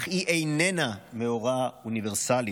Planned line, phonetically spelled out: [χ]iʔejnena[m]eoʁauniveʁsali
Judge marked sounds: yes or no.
yes, yes

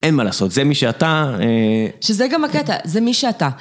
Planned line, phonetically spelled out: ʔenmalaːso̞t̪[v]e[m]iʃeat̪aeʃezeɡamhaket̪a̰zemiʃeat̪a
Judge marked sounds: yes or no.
no, yes

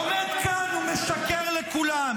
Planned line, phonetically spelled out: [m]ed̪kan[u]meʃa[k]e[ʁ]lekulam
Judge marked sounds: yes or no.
yes, yes, yes, yes

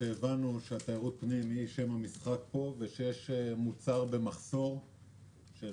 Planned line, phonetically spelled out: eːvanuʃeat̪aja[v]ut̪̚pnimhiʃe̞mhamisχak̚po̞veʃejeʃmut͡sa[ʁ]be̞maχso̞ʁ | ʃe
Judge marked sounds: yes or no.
no, yes

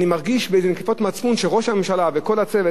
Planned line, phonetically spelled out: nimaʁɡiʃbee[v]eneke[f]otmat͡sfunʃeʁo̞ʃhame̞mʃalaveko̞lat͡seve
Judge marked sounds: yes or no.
no, yes

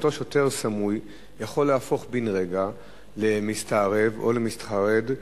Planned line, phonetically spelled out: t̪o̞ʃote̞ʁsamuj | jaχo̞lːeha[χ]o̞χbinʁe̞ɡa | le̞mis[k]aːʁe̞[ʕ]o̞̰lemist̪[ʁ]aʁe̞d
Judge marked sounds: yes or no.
no, no, no, no

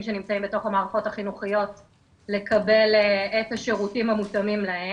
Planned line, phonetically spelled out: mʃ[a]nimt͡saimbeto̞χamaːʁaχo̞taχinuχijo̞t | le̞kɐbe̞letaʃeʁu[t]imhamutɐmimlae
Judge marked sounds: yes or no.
no, yes

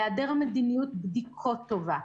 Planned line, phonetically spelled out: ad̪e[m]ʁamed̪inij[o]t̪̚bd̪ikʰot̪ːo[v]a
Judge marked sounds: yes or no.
no, no, yes

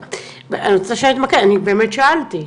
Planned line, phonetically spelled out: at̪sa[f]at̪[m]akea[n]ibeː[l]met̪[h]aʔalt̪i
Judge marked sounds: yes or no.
no, yes, yes, no, no

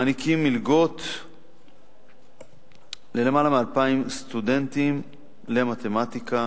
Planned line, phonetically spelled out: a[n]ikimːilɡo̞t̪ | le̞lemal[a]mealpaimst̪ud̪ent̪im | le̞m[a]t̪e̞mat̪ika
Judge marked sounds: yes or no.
yes, yes, yes

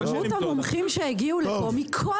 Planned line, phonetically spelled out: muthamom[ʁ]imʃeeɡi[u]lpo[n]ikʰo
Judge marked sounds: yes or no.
no, yes, no

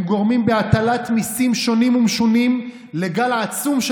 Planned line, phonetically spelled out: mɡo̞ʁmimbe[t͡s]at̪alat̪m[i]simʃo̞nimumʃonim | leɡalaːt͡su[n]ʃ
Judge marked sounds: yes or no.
no, yes, no

